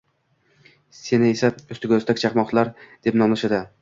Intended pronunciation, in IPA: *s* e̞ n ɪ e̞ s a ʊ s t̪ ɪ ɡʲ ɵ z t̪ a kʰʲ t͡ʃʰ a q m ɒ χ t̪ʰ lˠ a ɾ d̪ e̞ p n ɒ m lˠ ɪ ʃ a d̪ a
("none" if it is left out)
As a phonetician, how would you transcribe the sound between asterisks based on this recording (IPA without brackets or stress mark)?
s